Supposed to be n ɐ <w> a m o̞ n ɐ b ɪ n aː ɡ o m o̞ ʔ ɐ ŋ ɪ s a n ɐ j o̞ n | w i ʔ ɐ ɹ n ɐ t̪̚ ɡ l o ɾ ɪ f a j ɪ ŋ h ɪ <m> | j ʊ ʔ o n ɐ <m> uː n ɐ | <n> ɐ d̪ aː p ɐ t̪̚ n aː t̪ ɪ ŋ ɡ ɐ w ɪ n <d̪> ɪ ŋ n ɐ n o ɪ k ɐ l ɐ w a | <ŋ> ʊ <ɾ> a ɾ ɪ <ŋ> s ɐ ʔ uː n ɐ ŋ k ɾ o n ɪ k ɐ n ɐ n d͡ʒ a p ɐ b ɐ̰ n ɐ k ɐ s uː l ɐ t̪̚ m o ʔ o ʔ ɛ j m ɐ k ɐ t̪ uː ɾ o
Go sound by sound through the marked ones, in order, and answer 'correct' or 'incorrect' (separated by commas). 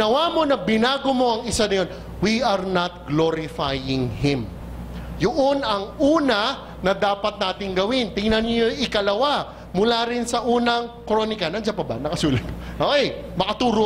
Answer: correct, correct, incorrect, correct, incorrect, incorrect, incorrect, incorrect